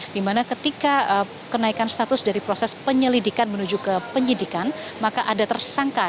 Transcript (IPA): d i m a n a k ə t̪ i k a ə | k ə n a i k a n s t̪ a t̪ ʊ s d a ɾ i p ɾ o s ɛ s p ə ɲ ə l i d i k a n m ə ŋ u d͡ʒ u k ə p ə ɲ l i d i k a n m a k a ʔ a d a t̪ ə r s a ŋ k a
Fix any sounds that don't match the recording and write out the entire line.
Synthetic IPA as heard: d i m a n a k ə t̪ i k a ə | k ə n a i k a n s t̪ a t̪ ʊ s d a ɾ i p ɾ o s ɛ s p ə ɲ ə l i d i k a n m ə n u d͡ʒ u k ə p ə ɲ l i d i k a n m a k a ʔ a d a t̪ ə r s a ŋ k a